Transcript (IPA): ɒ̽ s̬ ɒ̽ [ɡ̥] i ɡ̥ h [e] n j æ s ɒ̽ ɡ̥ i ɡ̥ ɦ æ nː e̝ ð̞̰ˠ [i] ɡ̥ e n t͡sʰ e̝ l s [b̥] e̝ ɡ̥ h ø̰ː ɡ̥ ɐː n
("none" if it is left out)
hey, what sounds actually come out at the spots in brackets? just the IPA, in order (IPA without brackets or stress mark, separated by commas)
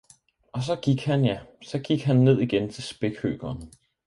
ɡ̥, æ, i, b̥